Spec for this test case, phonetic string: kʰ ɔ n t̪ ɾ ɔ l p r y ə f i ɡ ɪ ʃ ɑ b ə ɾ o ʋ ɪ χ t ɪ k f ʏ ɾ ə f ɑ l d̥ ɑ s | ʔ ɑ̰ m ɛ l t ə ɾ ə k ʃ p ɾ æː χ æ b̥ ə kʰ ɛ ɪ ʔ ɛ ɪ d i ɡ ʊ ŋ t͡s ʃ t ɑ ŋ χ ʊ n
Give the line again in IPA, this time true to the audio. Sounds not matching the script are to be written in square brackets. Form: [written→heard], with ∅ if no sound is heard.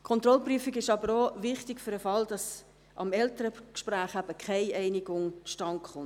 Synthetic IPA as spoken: kʰ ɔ n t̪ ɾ ɔ l p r y ə f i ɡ ɪ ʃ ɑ b ə ɾ o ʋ ɪ χ t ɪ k f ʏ ɾ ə f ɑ l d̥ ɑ s | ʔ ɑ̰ m ɛ l t ə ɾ ə k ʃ p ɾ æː χ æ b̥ ə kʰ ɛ ɪ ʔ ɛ ɪ [d→n] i ɡ ʊ ŋ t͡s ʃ t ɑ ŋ χ ʊ n